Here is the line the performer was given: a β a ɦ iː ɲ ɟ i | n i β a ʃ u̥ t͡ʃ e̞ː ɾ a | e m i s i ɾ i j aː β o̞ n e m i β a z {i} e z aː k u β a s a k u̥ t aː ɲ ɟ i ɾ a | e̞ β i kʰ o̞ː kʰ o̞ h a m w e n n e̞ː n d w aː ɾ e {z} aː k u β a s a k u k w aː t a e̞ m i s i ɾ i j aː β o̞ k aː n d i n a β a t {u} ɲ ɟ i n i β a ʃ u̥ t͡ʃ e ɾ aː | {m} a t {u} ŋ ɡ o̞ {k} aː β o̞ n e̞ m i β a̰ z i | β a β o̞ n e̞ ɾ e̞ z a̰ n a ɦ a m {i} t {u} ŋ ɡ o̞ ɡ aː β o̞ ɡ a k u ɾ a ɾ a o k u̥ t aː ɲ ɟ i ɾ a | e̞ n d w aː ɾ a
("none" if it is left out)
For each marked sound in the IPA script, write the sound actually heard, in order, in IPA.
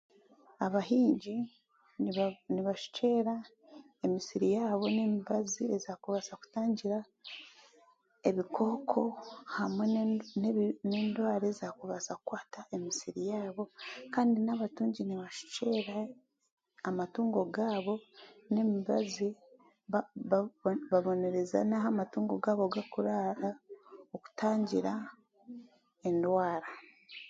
i, z, uː, m, uː, ɡ, a, uː

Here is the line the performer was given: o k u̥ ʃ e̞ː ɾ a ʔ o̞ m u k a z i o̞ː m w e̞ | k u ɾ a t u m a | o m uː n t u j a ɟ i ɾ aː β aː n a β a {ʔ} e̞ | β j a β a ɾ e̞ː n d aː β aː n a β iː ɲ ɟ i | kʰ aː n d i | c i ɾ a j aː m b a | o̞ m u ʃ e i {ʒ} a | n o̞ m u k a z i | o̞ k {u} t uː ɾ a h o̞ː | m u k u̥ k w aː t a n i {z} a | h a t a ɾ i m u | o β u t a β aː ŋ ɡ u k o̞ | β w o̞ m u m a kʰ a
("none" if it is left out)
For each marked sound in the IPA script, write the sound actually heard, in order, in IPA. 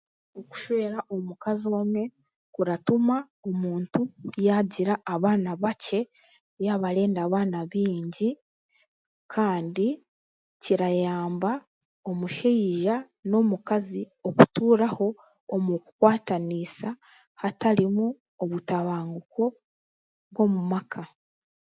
c, ʒ, u, s

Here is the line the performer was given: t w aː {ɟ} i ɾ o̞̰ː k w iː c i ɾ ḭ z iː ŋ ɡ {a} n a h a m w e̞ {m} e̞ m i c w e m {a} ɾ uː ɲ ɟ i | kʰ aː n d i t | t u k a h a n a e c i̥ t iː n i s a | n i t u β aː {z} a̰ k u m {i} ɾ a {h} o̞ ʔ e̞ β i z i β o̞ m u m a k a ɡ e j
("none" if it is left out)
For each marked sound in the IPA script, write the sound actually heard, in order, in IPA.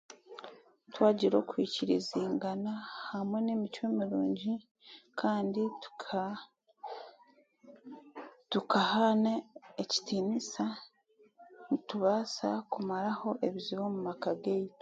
ɟ, a, n, i, s, a, h

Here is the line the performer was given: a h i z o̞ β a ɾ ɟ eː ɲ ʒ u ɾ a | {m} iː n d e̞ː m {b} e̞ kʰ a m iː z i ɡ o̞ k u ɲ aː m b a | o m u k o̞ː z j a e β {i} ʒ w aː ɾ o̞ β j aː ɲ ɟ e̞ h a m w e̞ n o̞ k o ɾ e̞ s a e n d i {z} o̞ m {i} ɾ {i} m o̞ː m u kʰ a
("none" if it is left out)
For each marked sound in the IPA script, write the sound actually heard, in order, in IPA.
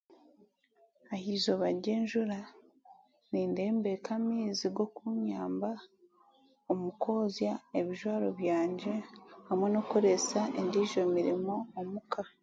n, b, i, ʒ, i, i

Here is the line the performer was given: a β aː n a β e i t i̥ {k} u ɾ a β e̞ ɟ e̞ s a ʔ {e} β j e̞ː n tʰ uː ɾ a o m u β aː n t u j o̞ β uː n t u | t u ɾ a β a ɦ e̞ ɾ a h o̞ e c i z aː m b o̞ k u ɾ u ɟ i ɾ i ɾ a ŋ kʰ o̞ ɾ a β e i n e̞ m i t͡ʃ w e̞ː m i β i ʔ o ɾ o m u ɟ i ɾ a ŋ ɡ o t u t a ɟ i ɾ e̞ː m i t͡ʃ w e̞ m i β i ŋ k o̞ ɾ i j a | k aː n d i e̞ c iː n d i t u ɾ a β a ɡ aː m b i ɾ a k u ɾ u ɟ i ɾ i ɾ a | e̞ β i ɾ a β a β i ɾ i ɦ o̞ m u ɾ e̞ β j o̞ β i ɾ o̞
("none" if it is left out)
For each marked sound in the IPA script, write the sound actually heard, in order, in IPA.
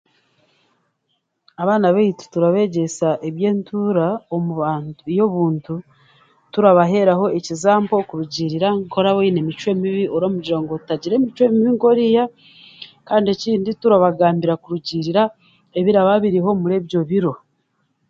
t, e

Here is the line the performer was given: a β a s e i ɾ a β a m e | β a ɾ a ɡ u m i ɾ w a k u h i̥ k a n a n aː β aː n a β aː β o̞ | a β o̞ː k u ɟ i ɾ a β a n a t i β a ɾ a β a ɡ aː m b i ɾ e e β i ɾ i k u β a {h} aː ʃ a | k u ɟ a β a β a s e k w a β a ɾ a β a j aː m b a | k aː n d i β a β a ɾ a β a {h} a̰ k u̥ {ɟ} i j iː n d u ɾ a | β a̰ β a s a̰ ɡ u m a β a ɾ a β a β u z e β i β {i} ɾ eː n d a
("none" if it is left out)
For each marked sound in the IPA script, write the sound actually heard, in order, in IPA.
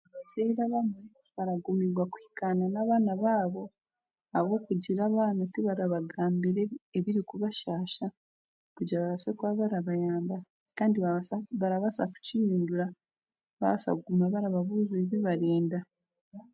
ʃ, s, c, a

